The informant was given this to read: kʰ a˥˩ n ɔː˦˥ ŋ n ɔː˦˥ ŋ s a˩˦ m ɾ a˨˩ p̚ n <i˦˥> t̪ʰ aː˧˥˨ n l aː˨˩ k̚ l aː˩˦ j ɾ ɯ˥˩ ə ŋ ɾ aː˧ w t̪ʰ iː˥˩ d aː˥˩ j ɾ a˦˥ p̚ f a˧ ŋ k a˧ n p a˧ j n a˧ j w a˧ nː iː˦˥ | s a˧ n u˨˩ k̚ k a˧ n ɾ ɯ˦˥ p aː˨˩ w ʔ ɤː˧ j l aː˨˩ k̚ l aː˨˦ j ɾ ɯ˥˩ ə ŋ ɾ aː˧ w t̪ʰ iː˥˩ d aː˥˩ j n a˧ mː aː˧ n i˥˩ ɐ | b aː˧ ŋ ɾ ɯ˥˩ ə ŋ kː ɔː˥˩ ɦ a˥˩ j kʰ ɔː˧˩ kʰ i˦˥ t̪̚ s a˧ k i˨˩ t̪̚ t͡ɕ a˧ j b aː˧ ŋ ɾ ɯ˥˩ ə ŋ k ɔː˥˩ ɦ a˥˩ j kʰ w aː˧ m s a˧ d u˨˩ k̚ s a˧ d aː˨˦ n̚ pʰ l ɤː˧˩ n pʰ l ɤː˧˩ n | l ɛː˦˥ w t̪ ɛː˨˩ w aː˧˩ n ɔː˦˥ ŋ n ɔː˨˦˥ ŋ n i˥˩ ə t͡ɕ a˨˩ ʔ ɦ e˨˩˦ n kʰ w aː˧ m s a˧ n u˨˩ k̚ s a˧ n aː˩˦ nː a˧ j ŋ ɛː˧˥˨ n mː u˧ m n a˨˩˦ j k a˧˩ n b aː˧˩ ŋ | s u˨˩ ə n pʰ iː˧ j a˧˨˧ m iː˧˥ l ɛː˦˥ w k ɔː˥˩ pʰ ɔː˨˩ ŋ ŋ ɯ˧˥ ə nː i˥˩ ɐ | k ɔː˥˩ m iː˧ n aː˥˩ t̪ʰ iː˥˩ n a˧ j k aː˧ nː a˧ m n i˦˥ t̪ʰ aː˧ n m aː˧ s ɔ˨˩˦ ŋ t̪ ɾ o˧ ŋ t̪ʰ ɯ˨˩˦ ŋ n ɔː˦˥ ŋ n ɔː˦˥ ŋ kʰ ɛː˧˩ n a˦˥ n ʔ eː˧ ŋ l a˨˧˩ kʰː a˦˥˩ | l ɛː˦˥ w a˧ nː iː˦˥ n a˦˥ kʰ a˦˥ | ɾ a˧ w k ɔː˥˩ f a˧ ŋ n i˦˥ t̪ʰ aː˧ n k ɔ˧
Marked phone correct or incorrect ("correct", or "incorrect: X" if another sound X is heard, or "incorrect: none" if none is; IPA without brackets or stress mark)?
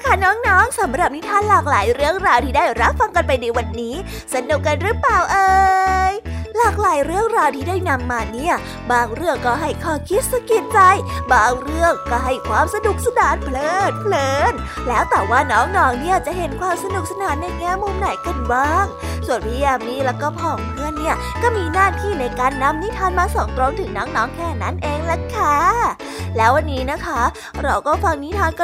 correct